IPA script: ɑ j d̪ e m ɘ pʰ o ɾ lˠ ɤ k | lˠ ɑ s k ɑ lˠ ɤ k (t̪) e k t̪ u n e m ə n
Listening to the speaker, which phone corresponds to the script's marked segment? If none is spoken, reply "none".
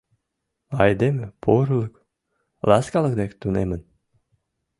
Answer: d̪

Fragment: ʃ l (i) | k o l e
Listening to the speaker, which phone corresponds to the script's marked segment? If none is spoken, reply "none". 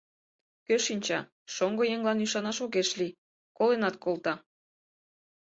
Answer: i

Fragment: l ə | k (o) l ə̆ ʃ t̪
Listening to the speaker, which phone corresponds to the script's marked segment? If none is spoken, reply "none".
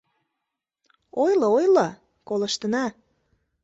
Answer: o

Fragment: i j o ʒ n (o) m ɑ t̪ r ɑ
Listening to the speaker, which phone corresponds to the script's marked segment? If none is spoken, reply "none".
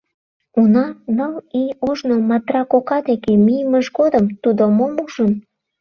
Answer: o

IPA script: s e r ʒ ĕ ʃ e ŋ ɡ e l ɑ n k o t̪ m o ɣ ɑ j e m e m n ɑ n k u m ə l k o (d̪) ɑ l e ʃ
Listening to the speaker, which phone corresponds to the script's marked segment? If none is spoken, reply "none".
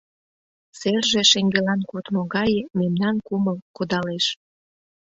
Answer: d̪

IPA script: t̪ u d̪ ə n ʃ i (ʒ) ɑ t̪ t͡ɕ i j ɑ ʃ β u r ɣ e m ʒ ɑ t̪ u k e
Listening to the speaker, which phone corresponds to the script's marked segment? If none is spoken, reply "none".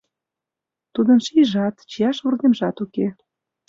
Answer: ʒ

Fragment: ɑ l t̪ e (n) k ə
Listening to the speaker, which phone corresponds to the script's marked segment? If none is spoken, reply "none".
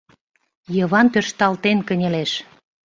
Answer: n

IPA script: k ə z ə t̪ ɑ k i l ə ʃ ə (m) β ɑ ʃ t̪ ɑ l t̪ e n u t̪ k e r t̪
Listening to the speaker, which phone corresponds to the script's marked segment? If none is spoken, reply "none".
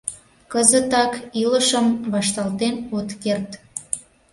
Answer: m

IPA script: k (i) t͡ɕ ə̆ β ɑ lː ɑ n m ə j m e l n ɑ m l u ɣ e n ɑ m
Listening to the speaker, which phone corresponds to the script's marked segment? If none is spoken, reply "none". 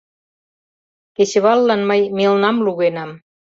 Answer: e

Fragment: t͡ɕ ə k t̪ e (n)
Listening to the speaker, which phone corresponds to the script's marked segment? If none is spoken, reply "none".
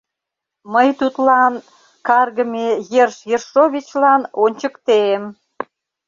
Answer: m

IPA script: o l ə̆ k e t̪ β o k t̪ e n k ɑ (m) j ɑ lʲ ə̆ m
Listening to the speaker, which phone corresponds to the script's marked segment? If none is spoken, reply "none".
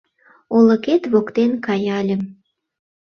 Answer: none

